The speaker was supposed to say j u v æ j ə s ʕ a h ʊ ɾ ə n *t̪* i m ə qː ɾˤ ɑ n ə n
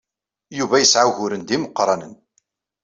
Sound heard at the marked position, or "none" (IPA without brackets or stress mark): d̪